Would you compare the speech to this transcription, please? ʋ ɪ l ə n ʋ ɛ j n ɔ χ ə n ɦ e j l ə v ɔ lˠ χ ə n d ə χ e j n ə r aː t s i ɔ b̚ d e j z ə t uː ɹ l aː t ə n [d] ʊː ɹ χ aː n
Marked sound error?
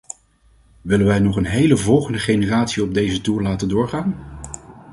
no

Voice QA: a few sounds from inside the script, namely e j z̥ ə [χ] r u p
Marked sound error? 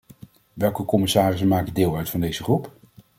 no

